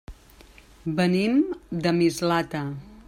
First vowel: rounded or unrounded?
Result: unrounded